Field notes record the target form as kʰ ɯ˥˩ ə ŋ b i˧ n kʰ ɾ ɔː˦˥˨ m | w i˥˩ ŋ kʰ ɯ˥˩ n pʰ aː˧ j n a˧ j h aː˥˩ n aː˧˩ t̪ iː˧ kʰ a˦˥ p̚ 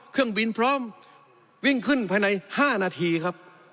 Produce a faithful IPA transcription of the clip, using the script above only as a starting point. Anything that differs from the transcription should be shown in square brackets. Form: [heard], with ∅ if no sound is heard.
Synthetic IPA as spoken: kʰ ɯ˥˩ ə ŋ b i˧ n [pʰ] ɾ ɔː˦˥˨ m | w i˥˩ ŋ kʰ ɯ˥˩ n pʰ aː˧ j n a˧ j h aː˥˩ n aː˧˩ [t̪ʰ] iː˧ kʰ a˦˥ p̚